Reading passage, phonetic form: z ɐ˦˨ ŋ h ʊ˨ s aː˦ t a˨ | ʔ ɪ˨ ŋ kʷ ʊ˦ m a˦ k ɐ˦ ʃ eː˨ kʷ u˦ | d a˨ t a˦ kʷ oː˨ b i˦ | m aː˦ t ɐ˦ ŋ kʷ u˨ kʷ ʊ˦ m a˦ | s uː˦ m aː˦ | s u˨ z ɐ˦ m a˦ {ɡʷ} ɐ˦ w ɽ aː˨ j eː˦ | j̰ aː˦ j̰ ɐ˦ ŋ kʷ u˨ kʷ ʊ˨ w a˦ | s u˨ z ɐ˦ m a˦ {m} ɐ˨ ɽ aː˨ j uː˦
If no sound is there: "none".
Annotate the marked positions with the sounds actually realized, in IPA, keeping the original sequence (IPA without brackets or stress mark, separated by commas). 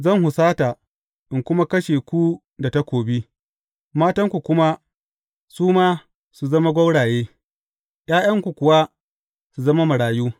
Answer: ɡʷ, m